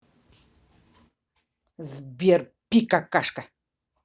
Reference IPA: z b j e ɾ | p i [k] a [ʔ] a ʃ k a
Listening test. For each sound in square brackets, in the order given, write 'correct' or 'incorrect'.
correct, incorrect

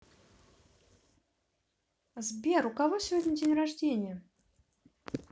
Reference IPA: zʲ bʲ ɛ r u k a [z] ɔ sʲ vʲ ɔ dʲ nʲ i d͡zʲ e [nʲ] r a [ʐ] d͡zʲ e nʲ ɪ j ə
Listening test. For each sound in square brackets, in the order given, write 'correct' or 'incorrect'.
incorrect, correct, correct

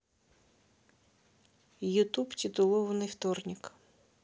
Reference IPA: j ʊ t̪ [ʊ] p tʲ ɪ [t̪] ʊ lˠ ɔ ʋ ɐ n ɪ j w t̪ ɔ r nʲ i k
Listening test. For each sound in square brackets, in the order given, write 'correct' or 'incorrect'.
incorrect, correct

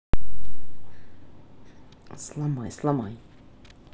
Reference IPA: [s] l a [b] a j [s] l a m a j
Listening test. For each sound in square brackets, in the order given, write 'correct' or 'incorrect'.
correct, incorrect, correct

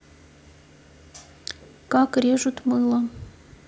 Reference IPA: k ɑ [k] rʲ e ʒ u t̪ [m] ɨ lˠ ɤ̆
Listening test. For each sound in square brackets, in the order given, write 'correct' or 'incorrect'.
correct, correct

